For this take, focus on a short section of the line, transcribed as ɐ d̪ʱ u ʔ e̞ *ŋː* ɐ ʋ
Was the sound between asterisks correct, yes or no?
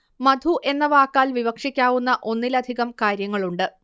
no